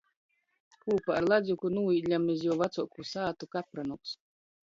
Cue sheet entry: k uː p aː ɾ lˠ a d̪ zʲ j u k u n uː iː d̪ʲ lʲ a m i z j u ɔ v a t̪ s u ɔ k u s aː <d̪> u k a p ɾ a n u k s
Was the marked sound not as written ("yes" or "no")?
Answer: yes